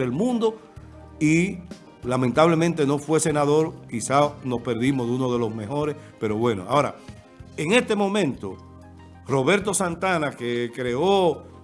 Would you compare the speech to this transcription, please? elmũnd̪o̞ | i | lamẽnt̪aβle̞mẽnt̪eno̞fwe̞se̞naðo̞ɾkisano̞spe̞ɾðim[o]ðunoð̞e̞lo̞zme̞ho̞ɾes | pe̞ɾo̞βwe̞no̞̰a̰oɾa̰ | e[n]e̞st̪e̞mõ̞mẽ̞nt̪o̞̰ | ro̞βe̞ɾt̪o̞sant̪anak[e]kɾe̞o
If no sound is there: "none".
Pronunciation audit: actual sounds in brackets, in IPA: o, ŋ, e

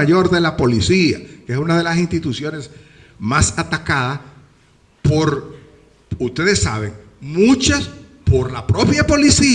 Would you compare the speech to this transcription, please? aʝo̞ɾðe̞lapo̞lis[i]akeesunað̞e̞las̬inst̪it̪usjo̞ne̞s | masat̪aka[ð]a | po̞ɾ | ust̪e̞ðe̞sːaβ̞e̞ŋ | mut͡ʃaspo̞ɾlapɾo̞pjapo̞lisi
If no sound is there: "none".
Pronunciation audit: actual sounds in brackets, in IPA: i, ð

